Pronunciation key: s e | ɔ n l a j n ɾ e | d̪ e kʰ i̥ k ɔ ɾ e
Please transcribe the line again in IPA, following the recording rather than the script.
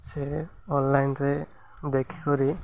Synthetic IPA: s e | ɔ n l a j n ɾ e | d̪ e kʰ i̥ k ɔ ɾ i